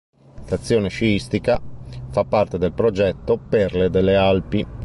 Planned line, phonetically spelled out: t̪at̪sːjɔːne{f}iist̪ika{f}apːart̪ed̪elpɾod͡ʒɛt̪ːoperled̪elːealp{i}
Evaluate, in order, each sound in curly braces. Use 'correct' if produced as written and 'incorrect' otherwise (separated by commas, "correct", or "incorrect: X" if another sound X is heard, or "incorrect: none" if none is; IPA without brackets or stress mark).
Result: incorrect: ʃ, correct, correct